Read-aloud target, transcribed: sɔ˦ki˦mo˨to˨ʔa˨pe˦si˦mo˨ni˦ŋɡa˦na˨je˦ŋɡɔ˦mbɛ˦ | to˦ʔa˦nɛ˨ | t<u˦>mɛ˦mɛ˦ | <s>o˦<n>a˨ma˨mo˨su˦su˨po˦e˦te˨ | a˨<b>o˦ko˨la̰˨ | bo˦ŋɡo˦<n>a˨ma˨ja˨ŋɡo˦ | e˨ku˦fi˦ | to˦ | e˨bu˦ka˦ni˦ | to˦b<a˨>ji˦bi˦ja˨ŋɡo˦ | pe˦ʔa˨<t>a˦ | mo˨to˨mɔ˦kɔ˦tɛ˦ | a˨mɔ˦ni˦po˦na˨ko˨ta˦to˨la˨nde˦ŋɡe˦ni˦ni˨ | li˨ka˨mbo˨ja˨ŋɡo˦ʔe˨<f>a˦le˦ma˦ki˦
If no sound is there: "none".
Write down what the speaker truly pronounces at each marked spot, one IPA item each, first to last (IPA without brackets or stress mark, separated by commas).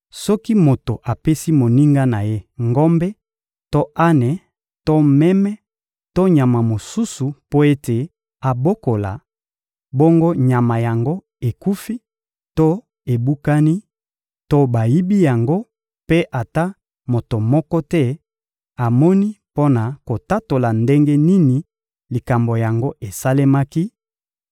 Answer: o˦, t, ɲ, b, ɲ, a˨, t, s